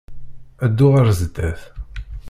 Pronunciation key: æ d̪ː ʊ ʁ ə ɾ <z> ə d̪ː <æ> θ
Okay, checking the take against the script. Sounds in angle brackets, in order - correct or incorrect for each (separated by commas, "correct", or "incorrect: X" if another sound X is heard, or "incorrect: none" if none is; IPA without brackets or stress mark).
correct, correct